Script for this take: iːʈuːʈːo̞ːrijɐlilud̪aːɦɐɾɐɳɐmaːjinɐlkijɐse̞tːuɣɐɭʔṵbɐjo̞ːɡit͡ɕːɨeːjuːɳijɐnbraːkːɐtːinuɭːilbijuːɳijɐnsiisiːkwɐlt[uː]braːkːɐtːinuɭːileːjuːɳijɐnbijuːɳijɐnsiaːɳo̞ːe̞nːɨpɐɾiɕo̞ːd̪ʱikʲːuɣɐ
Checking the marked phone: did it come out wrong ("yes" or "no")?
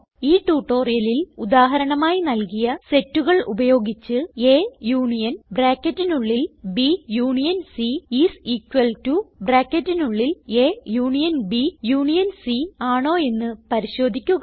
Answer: yes